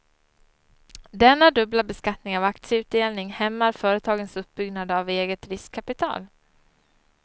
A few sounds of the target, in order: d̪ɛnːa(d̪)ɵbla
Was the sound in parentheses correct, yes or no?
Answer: yes